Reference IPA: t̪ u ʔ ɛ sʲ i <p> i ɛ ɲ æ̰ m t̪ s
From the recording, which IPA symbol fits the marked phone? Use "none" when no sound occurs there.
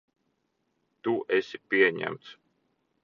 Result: p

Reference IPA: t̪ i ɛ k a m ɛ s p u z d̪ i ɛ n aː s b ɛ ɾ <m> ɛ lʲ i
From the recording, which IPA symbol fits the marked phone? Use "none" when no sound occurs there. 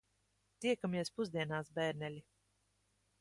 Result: n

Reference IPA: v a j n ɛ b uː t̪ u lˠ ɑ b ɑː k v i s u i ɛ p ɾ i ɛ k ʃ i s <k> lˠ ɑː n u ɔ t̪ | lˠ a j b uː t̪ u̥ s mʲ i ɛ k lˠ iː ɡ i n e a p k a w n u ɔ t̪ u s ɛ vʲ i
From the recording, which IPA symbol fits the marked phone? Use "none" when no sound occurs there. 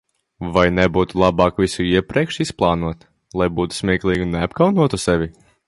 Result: p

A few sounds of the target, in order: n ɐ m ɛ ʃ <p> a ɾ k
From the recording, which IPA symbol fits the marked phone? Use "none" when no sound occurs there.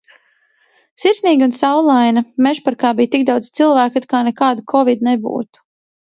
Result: p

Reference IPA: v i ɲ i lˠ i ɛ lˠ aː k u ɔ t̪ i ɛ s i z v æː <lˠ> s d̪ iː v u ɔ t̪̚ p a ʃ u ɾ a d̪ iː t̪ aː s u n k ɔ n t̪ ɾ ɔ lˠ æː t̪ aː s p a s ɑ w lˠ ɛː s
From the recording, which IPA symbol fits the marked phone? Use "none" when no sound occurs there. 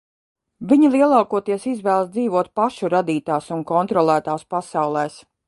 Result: lˠ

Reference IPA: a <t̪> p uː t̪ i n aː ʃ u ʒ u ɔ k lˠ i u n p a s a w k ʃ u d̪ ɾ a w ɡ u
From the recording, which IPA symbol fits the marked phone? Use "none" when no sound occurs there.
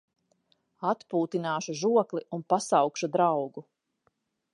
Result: t̪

